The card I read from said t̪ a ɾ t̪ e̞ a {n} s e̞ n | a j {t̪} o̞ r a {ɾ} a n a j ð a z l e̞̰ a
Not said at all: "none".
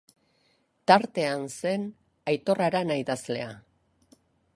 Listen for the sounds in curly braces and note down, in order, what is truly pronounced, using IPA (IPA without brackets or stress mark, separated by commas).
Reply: n, t̪, ɾ